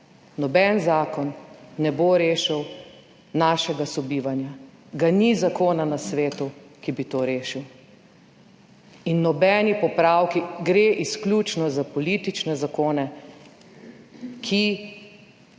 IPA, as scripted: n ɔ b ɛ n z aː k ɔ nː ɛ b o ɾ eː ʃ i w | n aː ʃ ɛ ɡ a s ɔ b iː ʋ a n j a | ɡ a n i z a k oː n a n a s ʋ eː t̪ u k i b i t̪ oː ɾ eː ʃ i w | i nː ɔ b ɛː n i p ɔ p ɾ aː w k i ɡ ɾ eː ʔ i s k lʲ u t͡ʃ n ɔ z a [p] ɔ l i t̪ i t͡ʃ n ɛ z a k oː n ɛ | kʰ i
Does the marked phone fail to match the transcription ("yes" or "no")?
no